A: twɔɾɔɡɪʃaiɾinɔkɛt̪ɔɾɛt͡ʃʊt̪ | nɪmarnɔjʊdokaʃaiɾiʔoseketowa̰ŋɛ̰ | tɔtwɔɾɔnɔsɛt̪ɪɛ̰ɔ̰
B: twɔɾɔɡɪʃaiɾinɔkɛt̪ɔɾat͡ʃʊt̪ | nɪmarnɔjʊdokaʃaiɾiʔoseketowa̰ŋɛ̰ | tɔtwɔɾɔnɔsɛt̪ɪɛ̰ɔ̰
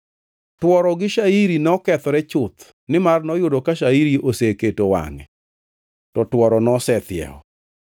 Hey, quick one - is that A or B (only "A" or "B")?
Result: A